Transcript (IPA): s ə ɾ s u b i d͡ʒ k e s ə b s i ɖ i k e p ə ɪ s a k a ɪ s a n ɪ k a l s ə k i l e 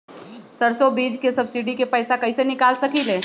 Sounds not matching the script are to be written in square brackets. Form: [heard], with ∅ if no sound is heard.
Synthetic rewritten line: s ə ɾ s [o] b i d͡ʒ k e s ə b s i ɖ i k e p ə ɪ s a k [ə] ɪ s [e] n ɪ k a l s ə k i l e

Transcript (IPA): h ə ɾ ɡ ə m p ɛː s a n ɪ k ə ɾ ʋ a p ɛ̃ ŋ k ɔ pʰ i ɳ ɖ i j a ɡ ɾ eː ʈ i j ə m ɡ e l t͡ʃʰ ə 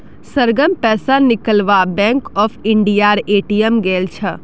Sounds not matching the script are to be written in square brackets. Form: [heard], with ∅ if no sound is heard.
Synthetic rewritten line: [s] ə ɾ ɡ ə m p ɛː s a n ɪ k ə [l] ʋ a [b] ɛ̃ ŋ k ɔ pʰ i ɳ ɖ i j a [∅] ɾ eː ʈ i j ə m ɡ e l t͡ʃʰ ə

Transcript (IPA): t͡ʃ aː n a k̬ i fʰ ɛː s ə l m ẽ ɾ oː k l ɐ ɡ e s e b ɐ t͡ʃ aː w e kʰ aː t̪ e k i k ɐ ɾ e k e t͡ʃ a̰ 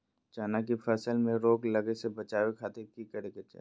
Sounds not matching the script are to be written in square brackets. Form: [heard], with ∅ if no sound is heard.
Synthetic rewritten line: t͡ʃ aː n a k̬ i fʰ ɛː s ə l m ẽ ɾ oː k l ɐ ɡ e s e b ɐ t͡ʃ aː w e kʰ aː t̪ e k i k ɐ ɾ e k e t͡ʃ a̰

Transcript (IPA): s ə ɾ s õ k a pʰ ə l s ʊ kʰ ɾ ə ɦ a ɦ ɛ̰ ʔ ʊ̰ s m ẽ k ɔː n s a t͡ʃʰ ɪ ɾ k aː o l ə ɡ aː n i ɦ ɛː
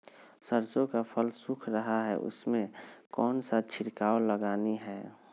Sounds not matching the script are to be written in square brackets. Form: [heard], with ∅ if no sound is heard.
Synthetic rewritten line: s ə ɾ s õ k a pʰ ə l s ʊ kʰ ɾ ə ɦ a ɦ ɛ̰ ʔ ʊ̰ s m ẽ k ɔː n s a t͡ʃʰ ɪ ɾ k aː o l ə ɡ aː n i ɦ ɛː

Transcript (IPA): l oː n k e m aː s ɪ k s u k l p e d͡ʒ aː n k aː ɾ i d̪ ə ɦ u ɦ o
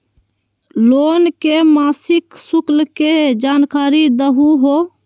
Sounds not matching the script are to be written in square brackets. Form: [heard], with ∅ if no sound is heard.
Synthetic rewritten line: l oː n k e m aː s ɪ k s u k l [k] e d͡ʒ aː n k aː ɾ i d̪ ə ɦ u ɦ o

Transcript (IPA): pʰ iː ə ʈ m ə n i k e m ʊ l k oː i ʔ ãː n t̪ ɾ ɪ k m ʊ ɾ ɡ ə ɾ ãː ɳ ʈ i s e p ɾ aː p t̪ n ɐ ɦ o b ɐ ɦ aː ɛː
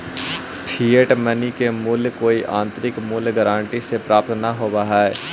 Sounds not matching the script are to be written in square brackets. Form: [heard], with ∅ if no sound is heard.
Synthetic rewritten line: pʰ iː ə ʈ m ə n i k e m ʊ l k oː i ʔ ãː n t̪ ɾ ɪ k m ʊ [l] ɡ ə ɾ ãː ɳ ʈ i s e p ɾ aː p t̪ n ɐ ɦ o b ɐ ɦ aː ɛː

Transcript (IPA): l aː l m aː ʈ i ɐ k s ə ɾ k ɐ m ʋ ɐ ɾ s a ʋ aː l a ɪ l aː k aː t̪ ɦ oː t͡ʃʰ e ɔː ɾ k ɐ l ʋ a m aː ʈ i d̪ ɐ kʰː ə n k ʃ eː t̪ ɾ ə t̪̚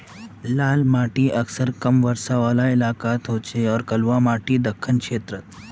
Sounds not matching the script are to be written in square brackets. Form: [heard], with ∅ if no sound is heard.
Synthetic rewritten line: l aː l m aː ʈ i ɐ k s ə ɾ k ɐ m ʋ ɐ ɾ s a ʋ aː l a ɪ l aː k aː t̪ ɦ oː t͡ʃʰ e ɔː ɾ k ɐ l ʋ a m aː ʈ i d̪ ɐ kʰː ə n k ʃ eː t̪ ɾ ə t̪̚

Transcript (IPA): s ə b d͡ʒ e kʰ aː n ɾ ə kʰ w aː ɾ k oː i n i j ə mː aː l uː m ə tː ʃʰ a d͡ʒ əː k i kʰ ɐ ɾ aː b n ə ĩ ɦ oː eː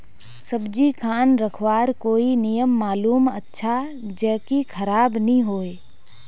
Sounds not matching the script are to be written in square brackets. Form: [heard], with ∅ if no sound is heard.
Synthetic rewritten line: s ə b d͡ʒ [i] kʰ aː n ɾ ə kʰ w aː ɾ k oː i n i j ə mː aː l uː m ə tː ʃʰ a d͡ʒ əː k i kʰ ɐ ɾ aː b n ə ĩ ɦ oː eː

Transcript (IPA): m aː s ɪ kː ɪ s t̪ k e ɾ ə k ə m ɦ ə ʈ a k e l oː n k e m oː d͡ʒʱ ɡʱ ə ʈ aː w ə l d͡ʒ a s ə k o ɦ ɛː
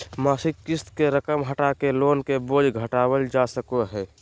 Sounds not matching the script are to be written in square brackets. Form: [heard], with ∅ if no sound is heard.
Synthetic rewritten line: m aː s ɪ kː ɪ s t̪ k e ɾ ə k ə m ɦ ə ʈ a k e l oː n k e [b] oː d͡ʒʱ ɡʱ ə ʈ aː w ə l d͡ʒ a s ə k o ɦ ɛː

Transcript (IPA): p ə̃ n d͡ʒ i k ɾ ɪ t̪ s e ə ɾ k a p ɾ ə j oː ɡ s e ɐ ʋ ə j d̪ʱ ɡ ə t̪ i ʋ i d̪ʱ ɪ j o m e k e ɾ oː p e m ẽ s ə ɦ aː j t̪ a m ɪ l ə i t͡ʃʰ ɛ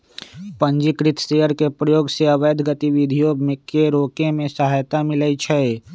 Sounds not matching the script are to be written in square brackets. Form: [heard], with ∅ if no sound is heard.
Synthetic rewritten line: p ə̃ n d͡ʒ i k ɾ ɪ t̪ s e ə ɾ k [e] p ɾ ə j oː ɡ s e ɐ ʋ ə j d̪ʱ ɡ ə t̪ i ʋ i d̪ʱ [i] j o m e k e ɾ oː [k] e m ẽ s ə ɦ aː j t̪ a m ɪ l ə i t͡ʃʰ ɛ

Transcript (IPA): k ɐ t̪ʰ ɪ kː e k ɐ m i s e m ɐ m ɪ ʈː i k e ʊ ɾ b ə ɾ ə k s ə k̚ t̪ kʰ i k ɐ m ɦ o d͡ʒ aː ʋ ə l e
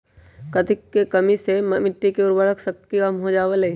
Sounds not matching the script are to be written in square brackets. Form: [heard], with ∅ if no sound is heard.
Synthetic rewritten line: k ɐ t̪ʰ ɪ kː e k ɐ m i s e m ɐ m ɪ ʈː i k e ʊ ɾ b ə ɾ ə k s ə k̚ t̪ [k] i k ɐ m ɦ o d͡ʒ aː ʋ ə l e

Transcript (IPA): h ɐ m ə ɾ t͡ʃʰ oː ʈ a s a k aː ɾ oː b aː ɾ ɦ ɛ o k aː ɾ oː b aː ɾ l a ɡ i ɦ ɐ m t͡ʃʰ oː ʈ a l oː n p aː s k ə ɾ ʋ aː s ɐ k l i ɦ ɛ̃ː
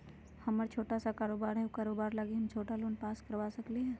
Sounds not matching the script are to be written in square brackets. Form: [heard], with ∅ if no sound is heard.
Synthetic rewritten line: h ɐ m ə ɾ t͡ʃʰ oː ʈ a s a k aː ɾ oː b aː ɾ ɦ ɛ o k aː ɾ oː b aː ɾ l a ɡ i ɦ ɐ m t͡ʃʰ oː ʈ a l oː n p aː s k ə ɾ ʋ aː s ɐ k l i ɦ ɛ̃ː

